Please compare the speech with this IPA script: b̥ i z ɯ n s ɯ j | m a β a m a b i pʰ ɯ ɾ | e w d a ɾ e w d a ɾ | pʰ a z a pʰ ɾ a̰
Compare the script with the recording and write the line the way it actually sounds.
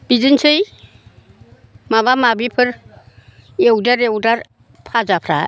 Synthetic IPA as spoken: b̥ i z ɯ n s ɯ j | m a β a m a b i pʰ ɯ ɾ | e w d a ɾ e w d a ɾ | pʰ a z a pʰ ɾ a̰